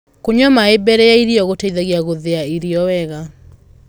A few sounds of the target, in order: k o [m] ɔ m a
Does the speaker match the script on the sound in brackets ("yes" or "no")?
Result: no